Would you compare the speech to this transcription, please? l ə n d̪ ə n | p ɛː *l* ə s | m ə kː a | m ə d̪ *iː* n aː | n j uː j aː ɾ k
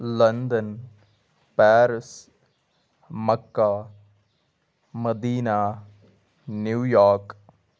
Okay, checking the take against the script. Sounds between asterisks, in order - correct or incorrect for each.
incorrect, correct

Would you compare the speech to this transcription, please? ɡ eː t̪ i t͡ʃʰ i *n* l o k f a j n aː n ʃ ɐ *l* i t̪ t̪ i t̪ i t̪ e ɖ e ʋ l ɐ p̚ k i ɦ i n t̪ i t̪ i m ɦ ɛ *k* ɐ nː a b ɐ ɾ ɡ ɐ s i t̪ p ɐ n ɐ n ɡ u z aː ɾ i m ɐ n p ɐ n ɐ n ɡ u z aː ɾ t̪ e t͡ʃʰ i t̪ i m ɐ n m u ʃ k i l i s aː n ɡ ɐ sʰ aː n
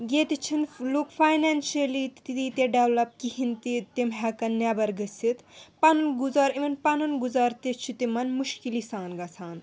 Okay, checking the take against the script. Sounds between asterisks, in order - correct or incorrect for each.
correct, correct, correct

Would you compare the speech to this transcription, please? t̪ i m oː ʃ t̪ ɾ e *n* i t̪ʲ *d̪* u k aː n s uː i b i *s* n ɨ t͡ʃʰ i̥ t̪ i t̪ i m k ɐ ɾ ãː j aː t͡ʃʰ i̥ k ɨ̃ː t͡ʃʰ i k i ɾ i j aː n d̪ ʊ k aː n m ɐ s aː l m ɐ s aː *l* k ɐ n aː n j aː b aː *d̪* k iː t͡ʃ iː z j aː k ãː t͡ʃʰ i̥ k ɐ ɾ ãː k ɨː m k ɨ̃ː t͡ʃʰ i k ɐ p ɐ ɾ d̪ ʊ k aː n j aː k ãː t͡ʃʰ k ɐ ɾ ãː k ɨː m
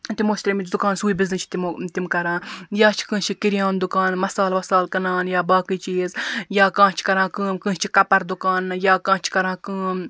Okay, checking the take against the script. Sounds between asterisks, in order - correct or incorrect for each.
incorrect, correct, incorrect, correct, incorrect

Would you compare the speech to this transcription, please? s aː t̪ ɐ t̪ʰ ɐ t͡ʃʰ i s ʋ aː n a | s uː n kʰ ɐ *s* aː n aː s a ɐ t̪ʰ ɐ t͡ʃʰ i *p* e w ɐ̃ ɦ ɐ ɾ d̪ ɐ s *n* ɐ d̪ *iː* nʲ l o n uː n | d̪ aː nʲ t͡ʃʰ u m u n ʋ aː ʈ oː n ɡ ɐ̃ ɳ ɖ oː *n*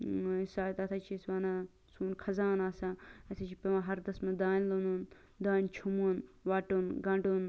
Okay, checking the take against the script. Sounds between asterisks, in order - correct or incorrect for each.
incorrect, correct, incorrect, incorrect, correct

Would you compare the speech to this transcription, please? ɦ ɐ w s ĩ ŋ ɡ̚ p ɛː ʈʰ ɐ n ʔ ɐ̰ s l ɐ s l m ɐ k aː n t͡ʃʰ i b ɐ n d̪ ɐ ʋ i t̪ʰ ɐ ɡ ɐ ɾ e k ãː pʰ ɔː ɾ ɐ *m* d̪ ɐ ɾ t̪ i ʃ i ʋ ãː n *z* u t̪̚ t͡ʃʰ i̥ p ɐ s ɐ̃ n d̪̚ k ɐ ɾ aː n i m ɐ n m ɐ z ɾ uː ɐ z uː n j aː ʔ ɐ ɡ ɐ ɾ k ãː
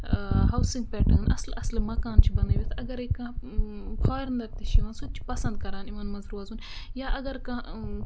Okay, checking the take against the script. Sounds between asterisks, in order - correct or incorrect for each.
incorrect, incorrect

